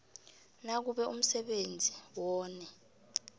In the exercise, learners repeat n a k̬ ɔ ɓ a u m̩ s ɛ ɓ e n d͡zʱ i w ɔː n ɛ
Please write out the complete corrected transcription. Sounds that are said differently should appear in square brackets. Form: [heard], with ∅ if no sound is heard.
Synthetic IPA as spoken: n a k̬ [u] ɓ [ɛ] u m̩ s ɛ ɓ e n d͡zʱ i w ɔː n ɛ

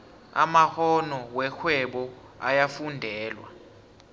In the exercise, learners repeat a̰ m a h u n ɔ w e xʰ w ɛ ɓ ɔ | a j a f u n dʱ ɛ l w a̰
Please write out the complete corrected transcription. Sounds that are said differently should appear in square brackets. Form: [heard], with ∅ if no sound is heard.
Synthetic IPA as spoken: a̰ m a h [ɔ] n ɔ w [ɛ] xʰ w ɛ ɓ ɔ | a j a f u n dʱ [ɛː] l w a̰

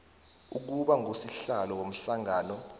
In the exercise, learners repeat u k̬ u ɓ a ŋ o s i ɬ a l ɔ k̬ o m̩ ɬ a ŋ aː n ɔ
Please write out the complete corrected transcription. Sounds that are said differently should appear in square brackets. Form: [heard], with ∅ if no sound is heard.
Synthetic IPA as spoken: u k̬ u ɓ a ŋ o s i ɬ a l ɔ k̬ o m̩ ɬ a ŋ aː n ɔ

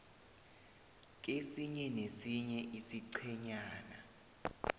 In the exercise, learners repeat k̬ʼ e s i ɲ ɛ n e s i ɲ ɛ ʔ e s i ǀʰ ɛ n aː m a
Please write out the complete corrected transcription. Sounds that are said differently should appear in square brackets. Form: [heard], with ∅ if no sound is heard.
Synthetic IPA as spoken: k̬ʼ e s i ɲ ɛ n e s i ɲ ɛ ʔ [i] s i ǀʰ ɛ [ɲ] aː [n] a

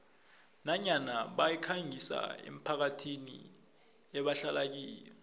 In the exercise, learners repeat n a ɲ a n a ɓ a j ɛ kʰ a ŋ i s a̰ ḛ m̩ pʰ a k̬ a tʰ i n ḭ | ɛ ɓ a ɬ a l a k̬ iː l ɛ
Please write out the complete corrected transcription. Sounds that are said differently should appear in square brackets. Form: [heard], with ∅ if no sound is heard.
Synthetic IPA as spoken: n a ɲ a n a ɓ a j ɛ kʰ a ŋ i s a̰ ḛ m̩ pʰ a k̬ a tʰ i n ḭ | ɛ ɓ a ɬ a l a k̬ iː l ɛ

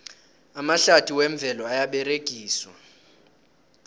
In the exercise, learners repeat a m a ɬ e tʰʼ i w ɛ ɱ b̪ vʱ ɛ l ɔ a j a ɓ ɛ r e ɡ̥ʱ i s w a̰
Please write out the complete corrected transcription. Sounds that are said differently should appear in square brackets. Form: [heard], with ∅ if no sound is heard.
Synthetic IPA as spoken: a m a ɬ [a] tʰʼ i w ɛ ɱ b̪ vʱ ɛ l ɔ a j a ɓ ɛ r e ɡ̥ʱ [iː] s w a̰

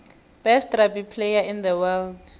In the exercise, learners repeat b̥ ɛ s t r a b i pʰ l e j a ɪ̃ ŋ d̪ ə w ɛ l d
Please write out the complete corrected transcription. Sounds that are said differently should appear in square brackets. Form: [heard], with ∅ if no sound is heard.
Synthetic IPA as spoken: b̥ ɛ s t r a b i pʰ l e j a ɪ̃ [n] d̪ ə w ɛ l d

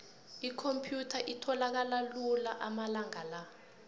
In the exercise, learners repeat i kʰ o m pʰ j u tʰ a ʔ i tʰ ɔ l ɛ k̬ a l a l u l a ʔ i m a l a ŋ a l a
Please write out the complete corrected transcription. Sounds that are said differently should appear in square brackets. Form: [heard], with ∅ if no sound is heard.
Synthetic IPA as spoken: i kʰ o m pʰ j u tʰ a ʔ i tʰ ɔ l [a] k̬ a l a l u l a ʔ [a] m a l a ŋ a l a

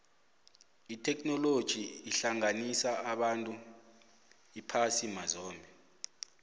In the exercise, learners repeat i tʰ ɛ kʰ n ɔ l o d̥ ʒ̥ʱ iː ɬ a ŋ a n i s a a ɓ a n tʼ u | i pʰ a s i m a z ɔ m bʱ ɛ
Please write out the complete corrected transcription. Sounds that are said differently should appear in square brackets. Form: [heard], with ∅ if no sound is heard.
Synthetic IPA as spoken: i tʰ ɛ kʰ n ɔ l o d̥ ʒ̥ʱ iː ɬ a ŋ a n i s a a ɓ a n tʼ u | i pʰ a s i m a z [ɔː] m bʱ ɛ

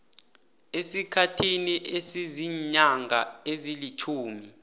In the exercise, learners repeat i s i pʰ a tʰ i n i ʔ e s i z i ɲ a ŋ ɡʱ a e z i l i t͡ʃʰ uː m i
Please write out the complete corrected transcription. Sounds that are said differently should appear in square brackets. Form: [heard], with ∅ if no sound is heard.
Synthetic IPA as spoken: [e] s i [kʰ] a tʰ i n i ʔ e s i z i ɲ a ŋ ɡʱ a e z i l i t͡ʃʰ uː m i

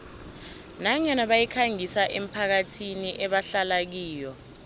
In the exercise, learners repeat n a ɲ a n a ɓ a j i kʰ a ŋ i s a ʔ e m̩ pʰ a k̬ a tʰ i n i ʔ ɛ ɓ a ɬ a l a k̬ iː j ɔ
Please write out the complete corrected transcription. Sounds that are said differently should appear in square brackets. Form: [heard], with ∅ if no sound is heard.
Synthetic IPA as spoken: n a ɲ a n a ɓ a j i kʰ a ŋ i s a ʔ e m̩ pʰ a k̬ a tʰ i n i ʔ ɛ ɓ a ɬ a l a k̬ iː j ɔ

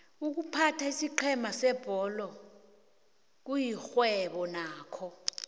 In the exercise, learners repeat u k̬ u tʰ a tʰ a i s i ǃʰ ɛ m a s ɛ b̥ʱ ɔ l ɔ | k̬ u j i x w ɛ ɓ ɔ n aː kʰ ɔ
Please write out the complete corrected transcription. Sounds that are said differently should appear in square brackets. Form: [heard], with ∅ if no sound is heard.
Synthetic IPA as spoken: u k̬ u [pʰ] a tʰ a i s i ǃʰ ɛ m a s ɛ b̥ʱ ɔ l ɔ | k̬ u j i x w ɛ ɓ ɔ n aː kʰ ɔ

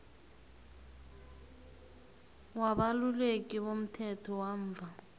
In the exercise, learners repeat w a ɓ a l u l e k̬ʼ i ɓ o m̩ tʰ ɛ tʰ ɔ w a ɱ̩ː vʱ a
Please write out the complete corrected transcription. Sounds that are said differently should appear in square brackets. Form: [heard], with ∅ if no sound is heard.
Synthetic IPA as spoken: w a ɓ a l u l e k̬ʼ i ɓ o m̩ tʰ ɛ tʰ ɔ w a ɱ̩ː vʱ a

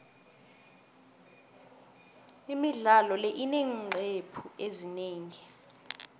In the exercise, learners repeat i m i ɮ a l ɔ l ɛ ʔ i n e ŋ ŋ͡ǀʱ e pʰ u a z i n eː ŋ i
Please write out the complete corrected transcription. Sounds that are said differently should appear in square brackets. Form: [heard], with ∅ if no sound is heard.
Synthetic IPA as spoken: i m i ɮ a l ɔ l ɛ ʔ i n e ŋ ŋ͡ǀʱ e pʰ u [e] z i n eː ŋ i

